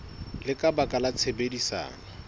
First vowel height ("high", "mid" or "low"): high